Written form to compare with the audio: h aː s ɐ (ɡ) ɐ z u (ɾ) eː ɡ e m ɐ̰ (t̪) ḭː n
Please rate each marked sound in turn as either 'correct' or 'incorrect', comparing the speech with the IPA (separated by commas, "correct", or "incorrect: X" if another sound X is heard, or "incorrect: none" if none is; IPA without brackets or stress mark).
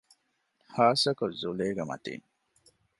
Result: incorrect: k, incorrect: l, correct